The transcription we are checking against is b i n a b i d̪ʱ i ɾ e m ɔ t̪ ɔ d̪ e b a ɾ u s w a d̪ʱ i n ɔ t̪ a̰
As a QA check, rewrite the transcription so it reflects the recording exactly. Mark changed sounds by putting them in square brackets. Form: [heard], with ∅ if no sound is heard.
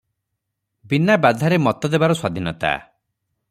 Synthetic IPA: b i n a b [a] d̪ʱ [a] ɾ e m ɔ t̪ ɔ d̪ e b a ɾ [ɔ] s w a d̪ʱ i n ɔ t̪ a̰